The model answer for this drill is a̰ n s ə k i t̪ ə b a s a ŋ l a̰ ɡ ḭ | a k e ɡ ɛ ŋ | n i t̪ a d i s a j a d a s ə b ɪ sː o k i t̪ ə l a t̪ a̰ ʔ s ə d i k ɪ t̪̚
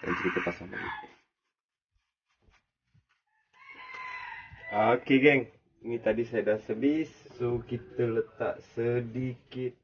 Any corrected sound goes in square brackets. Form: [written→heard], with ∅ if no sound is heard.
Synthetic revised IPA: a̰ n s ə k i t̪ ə [b→p] a s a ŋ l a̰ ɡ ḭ | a k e ɡ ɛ ŋ | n i t̪ a d i s a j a d a s ə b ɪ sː o k i t̪ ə l [a→ə] t̪ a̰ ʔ s ə d i k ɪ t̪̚